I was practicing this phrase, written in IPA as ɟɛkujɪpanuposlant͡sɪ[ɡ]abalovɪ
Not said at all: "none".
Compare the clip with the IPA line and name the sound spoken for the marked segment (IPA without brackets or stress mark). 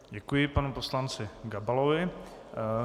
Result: ɡ